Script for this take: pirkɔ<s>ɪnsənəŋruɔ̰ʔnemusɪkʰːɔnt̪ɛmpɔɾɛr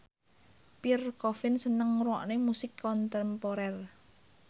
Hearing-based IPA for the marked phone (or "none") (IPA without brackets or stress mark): f